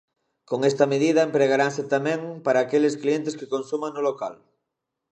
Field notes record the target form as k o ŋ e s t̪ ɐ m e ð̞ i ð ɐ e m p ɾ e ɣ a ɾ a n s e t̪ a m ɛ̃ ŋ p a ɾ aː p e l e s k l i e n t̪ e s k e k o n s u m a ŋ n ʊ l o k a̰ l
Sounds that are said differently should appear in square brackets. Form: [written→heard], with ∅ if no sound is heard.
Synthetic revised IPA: k o ŋ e s t̪ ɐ m e ð̞ i ð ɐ e m p ɾ e ɣ a ɾ a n s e t̪ a m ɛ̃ ŋ p a ɾ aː [p→k] e l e s k l i e n t̪ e s k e k o n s u m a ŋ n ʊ l o k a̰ l